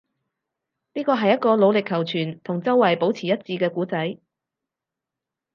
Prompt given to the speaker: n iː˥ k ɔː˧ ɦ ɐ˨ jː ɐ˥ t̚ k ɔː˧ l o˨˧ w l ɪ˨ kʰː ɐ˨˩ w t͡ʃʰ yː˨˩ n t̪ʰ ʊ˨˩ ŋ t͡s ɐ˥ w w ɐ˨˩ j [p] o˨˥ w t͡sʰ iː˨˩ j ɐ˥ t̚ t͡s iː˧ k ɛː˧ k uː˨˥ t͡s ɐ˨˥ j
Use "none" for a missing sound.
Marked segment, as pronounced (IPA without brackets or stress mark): p